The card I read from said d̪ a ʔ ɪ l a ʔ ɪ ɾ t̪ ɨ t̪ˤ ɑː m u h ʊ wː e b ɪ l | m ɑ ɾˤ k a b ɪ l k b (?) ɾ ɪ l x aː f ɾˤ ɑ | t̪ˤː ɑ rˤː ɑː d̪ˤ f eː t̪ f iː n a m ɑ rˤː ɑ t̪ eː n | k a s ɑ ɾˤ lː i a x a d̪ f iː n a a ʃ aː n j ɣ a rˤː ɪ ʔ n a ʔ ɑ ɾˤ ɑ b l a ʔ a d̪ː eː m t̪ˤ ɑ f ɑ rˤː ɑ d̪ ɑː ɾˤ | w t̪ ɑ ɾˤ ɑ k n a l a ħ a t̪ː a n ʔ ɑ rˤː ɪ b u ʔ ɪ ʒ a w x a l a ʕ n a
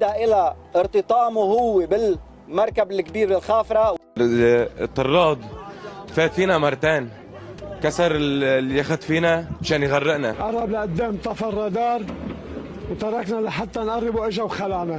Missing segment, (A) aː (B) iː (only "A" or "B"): B